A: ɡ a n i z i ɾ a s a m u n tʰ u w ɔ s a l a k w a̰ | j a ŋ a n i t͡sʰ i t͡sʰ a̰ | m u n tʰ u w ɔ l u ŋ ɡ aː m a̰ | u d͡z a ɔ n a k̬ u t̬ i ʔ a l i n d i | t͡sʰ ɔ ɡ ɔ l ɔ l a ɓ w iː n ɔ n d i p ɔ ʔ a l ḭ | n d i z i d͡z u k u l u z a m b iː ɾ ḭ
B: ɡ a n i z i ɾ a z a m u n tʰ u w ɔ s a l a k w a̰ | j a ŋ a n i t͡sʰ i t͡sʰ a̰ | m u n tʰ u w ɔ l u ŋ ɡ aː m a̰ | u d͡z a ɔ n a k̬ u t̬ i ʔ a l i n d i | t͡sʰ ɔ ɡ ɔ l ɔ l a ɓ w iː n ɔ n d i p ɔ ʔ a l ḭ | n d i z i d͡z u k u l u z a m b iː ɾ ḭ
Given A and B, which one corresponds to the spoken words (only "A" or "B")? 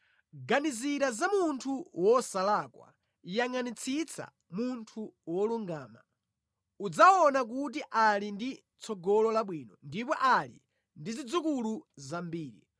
B